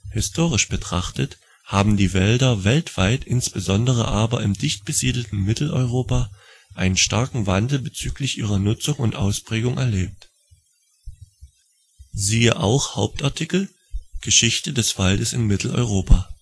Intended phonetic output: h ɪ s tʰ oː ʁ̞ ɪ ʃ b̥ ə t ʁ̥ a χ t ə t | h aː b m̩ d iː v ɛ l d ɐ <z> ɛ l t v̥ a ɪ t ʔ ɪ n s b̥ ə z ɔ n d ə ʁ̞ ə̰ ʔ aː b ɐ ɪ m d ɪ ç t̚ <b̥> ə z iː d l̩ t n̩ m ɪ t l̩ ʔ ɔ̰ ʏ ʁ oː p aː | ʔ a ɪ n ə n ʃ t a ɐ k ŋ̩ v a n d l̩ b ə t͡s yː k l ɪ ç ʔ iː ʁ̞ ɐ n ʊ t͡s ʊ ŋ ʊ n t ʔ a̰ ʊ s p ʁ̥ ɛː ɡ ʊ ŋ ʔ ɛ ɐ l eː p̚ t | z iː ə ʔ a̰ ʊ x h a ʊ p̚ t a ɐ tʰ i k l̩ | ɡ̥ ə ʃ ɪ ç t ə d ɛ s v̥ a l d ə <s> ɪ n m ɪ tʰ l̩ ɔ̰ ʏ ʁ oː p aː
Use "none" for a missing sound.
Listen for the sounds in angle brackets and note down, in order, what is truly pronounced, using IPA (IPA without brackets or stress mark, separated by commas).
v, b̥, s